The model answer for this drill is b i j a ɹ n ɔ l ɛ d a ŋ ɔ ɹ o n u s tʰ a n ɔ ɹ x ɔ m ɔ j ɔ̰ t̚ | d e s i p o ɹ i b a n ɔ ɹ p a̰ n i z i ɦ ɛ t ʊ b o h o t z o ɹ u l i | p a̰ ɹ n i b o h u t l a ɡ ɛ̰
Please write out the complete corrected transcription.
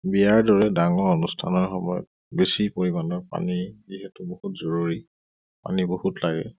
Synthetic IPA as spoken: b i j a ɹ d ɔ ɹ ɛ d a ŋ ɔ ɹ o n u s tʰ a n ɔ ɹ x ɔ m ɔ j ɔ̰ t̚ | b e s i p o ɹ i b a n ɔ ɹ p a̰ n i z i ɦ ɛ t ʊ b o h u t z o ɹ u ɹ i | p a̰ n i b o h u t l a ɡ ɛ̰

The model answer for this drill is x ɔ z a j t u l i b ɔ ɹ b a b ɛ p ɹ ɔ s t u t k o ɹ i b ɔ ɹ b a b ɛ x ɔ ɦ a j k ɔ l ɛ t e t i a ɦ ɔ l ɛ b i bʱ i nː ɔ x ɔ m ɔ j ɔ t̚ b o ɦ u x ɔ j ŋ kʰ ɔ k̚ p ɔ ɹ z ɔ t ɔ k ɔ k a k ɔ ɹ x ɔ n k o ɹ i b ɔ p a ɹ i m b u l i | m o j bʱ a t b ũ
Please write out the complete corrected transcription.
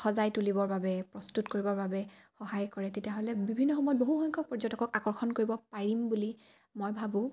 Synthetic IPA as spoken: x ɔ z a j t u l i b ɔ ɹ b a b ɛ p ɹ ɔ s t u t k o ɹ i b ɔ ɹ b a b ɛ x ɔ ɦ a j k ɔ ɹ ɛ t e t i a ɦ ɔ l ɛ b i bʱ i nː ɔ x ɔ m ɔ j ɔ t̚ b o ɦ u x ɔ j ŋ kʰ ɔ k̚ p ɔ ɹ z ɔ t ɔ k ɔ k a k ɔ ɹ x ɔ n k o ɹ i b ɔ p a ɹ i m b u l i | m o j bʱ a b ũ

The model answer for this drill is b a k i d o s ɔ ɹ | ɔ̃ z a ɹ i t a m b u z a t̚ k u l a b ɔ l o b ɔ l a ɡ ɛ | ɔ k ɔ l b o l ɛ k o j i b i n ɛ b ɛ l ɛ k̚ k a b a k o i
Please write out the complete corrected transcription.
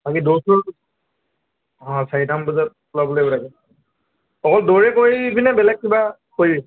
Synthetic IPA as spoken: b a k i d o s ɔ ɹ | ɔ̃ s a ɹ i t a m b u z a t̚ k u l a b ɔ l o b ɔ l a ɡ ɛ | ɔ k ɔ l d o ɹ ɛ k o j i b i n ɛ b ɛ l ɛ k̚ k i b a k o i

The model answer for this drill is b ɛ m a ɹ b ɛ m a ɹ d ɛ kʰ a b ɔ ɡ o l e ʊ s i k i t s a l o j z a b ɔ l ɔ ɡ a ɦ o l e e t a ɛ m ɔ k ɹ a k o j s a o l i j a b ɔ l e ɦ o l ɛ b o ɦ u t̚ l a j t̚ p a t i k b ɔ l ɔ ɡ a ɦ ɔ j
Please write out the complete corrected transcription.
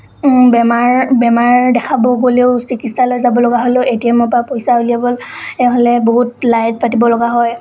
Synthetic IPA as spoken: b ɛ m a ɹ b ɛ m a ɹ d ɛ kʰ a b ɔ ɡ o l e ʊ s i k i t s a l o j z a b ɔ l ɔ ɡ a ɦ o l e e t i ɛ m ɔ p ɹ a p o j s a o l i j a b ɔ l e ɦ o l ɛ b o ɦ u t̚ l a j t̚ p a t i b ɔ l ɔ ɡ a ɦ ɔ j

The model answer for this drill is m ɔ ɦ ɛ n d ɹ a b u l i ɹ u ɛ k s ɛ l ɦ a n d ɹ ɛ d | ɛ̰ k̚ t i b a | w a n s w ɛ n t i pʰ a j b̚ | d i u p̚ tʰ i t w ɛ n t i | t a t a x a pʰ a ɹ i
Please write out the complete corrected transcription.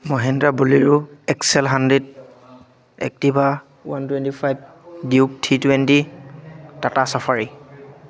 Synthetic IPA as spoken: m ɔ ɦ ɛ n d ɹ a b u l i ɹ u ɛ k s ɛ l ɦ a n d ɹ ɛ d | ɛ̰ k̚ t i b a | w a n t w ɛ n t i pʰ a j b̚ | d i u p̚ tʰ i t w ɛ n t i | t a t a s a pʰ a ɹ i

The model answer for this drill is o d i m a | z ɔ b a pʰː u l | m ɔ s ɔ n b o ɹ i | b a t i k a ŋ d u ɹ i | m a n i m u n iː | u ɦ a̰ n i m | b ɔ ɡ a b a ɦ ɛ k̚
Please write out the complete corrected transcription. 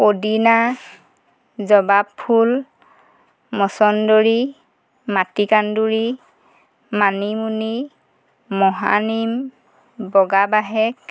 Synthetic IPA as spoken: o d i n a | z ɔ b a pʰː u l | m ɔ s ɔ n d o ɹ i | m a t i k a n d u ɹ i | m a n i m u n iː | ɔ ɦ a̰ n i m | b ɔ ɡ a b a ɦ ɛ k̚

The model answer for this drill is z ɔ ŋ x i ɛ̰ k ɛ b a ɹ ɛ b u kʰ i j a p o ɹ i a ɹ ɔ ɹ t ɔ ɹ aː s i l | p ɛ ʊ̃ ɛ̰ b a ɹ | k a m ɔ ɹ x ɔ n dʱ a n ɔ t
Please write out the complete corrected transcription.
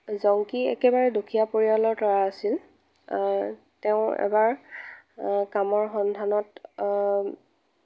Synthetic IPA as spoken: z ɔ ŋ k i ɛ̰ k ɛ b a ɹ ɛ d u kʰ i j a p o ɹ i a l ɔ ɹ t ɔ ɹ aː s i l | t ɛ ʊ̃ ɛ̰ b a ɹ | k a m ɔ ɹ x ɔ n dʱ a n ɔ t

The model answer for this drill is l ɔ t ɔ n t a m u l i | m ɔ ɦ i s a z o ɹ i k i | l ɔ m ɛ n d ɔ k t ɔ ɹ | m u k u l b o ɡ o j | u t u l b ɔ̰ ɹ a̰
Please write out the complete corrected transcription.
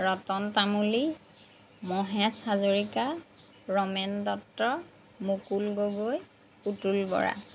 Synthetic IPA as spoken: ɹ ɔ t ɔ n t a m u l i | m ɔ ɦ ɛ s a z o ɹ i k a | ɹ ɔ m ɛ n d ɔ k t ɔ ɹ | m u k u l ɡ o ɡ o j | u t u l b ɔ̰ ɹ a̰

